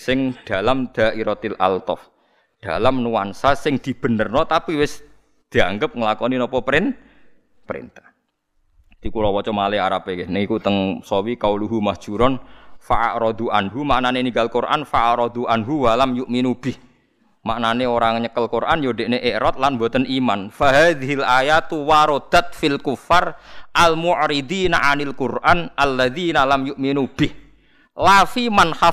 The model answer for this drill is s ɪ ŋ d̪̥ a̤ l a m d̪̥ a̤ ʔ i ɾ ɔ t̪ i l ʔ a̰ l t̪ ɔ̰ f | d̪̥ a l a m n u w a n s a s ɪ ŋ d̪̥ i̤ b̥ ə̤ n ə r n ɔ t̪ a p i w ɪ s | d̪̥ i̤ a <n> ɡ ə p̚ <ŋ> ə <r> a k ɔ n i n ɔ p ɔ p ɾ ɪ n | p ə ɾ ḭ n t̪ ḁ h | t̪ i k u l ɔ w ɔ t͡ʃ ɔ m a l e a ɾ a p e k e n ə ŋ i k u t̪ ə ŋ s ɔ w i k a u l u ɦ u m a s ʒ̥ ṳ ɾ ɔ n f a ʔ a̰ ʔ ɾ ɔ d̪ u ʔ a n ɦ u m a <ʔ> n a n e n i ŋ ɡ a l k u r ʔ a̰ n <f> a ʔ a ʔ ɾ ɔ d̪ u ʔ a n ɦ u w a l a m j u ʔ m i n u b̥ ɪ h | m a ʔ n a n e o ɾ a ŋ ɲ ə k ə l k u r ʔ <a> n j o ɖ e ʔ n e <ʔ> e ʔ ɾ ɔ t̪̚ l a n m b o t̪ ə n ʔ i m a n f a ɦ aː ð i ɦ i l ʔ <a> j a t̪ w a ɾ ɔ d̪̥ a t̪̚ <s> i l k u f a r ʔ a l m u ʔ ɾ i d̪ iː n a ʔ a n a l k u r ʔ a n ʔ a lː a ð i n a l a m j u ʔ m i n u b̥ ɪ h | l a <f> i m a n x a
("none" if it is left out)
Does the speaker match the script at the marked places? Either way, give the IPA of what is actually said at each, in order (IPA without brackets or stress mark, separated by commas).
ŋ, ŋ, l, ʔ, f, a, ʔ, a, f, f